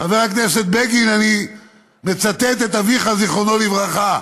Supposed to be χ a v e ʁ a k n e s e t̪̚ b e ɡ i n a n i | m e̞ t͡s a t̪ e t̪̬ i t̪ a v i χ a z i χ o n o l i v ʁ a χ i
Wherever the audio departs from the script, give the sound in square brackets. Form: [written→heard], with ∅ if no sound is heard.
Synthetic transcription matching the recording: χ a v e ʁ a k n e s e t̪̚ b e ɡ i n a n i | m e̞ t͡s a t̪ e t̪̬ [i→e] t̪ a v i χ a z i χ o n o l i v ʁ a χ [i→a]

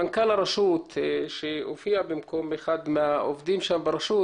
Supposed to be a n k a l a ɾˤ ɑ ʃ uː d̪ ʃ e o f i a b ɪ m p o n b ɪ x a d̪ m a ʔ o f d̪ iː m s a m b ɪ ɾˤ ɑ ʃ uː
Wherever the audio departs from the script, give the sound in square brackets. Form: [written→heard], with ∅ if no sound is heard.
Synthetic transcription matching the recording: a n k a l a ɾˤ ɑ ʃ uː [d̪→t̪] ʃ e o f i a b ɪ m [p→k] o [n→m] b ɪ x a d̪ m a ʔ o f d̪ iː m [s→ʃ] a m b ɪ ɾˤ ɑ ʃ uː

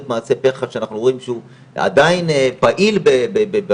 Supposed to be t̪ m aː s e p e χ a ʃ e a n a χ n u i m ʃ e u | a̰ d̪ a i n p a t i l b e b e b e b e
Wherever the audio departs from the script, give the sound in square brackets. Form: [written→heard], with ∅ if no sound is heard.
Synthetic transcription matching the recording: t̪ m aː s e p e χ a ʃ e a n a χ n u i m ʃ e u | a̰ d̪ a i n p a [t→ʔ] i l b e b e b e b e

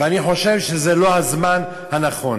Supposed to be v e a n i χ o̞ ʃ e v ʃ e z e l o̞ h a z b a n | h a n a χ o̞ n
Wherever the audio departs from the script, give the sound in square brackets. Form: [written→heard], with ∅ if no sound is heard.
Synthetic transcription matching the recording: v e a n i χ o̞ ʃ e v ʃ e z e l o̞ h a z [b→m] a n | h a n a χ o̞ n

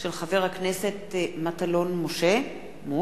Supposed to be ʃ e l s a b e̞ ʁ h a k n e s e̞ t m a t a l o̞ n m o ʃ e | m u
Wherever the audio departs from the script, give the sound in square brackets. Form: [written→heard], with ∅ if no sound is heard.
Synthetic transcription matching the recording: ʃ e l [s→χ] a [b→v] e̞ ʁ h a k n e s e̞ t m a t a l o̞ n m o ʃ e | m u

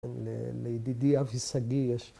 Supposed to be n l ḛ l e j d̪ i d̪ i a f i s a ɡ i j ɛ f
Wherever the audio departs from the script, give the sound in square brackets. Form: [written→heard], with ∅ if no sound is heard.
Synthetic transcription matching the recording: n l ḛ l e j d̪ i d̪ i a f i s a ɡ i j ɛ [f→ʃ]

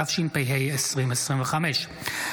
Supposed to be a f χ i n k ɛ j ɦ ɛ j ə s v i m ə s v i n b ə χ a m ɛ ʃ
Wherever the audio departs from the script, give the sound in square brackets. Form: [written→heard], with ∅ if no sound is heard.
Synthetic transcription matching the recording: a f [χ→ʃ] i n [k→p] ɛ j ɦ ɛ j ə s [v→ʁ] i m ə s [v→ʁ] i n [b→v] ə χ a m ɛ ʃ

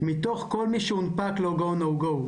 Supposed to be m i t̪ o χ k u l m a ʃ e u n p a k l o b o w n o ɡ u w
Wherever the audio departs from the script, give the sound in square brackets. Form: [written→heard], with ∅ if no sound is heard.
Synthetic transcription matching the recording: m i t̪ o χ k [u→o] l m [a→i] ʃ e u n p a k l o [b→ɡ] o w n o ɡ [u→o] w

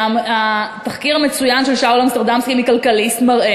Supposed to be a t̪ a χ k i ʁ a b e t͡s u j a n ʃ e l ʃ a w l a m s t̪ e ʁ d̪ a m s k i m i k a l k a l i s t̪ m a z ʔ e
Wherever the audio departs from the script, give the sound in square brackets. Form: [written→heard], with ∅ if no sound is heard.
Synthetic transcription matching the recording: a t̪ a χ k i ʁ a [b→m] e t͡s u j a n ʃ e l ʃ a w l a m s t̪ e ʁ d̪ a m s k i m i k a l k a l i s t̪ m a [z→ʁ] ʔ e

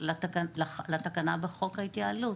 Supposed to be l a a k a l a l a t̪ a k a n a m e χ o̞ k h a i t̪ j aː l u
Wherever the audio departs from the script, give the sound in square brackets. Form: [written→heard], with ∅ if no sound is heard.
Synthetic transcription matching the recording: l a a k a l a l a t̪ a k a n a [m→b] e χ o̞ k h a i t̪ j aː l u

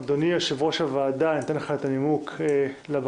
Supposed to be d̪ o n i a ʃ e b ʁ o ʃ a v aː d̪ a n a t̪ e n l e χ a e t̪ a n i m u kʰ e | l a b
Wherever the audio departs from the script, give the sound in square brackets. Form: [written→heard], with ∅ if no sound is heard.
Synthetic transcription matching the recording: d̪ o n i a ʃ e [b→v] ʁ o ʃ a v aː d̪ a n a t̪ e n l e χ a e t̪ a n i m u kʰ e | l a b

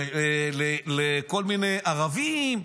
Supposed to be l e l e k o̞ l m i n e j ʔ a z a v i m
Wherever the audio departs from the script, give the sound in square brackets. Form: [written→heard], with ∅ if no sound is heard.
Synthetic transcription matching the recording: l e l e k o̞ l m i n e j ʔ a [z→ʁ] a v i m

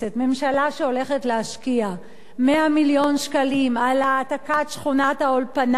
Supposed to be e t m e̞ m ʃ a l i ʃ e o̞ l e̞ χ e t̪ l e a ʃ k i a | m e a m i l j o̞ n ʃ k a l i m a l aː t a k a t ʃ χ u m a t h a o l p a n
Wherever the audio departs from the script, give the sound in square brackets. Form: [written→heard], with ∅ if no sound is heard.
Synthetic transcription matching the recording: e t m e̞ m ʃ a l [i→a] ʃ e o̞ l e̞ χ e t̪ l e a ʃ k i a | m e a m i l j o̞ n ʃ k a l i m a l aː t a k a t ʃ χ u [m→n] a t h a o l p a n

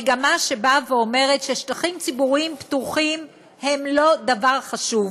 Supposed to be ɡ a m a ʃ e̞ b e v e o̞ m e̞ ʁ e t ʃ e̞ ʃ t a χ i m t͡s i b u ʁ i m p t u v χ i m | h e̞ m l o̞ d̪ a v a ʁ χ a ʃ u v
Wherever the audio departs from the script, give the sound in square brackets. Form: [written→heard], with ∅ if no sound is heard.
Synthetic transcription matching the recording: ɡ a m a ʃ e̞ b [e→a] v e o̞ m e̞ ʁ e t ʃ e̞ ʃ t a χ i m t͡s i b u ʁ i m p t u [v→∅] χ i m | h e̞ m l o̞ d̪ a v a ʁ χ a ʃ u v

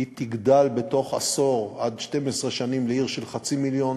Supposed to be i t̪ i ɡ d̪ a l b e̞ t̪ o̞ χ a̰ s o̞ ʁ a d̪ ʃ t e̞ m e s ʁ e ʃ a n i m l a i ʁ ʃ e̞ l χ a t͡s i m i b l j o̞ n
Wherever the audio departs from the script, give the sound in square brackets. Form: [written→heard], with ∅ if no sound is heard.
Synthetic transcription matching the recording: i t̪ i ɡ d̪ a l b e̞ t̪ o̞ χ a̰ s o̞ ʁ a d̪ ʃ t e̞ m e s ʁ e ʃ a n i m l [a→e] i ʁ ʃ e̞ l χ a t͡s i m i [b→∅] l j o̞ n

